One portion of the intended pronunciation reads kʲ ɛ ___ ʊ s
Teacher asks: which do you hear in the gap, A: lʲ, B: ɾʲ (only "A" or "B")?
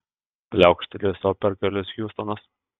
A